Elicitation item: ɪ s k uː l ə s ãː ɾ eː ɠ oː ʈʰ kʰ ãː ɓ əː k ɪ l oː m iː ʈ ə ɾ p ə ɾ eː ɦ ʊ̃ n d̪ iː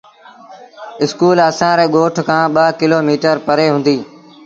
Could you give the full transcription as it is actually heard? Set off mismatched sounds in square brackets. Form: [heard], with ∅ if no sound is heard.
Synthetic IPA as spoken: ɪ s k uː l ə s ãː ɾ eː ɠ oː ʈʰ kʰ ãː ɓ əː k ɪ l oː m iː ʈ ə ɾ p ə ɾ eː ɦ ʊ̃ n d̪ iː